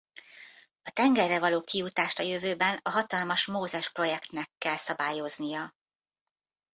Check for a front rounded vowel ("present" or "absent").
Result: present